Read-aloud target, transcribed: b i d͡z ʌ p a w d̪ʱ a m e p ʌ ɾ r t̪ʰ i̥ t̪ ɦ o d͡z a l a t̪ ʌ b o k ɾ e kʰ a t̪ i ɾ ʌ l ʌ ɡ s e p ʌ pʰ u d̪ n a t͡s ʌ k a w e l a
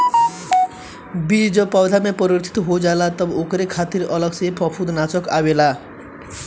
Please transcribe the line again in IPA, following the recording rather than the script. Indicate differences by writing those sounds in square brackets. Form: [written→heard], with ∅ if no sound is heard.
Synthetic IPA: b i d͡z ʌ p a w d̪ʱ a m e p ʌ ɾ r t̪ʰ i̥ t̪ ɦ o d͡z a l a t̪ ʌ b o k ɾ e kʰ a t̪ i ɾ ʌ l ʌ ɡ s e p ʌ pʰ u d̪ n a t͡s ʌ k a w e l a